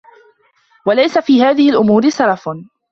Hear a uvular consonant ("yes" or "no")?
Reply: no